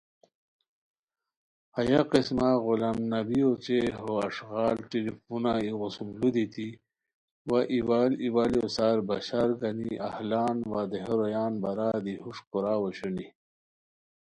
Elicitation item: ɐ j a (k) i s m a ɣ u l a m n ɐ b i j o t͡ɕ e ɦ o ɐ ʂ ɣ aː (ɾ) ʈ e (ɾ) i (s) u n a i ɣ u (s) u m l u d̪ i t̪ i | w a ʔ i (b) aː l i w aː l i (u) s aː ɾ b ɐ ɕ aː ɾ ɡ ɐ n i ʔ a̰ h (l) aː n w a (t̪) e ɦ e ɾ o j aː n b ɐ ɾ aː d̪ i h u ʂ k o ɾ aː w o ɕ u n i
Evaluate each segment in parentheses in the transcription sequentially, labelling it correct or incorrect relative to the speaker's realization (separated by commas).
incorrect, incorrect, incorrect, incorrect, correct, incorrect, incorrect, correct, incorrect